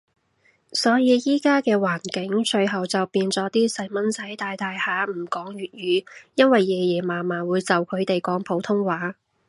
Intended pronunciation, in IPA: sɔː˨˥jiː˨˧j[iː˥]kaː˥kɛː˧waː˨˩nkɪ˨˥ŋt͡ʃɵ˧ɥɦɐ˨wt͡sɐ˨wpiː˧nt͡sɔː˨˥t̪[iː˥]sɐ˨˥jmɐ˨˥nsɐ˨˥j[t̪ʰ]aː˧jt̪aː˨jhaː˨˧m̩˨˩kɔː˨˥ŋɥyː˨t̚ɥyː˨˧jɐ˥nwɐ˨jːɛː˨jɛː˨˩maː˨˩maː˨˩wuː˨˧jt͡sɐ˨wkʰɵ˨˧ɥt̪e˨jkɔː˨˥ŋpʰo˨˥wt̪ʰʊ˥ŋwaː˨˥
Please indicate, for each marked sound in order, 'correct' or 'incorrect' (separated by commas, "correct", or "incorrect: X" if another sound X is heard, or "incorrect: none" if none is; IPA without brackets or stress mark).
correct, correct, incorrect: t̪